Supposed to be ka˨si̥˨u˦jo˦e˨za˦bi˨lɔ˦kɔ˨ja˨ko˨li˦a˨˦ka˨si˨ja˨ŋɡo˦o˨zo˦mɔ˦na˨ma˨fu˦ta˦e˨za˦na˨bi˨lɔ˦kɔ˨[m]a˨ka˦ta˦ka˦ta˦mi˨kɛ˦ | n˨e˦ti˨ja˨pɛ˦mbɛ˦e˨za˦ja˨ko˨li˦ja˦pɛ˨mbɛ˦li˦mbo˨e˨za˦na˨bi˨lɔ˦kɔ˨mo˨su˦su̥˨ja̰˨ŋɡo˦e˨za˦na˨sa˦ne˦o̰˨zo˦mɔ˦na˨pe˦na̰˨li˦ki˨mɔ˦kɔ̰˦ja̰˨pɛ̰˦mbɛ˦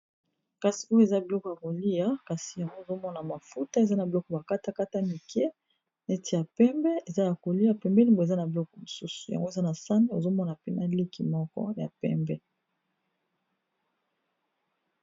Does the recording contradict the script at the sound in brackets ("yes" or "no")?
yes